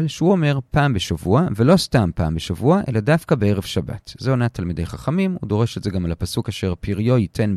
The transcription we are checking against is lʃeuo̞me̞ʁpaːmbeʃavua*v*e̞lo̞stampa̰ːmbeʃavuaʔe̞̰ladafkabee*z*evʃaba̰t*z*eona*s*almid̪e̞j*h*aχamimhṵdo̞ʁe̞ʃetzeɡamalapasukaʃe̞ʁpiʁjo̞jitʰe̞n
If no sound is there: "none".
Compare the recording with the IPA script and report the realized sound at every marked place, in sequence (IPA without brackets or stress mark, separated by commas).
v, ʁ, z, t, χ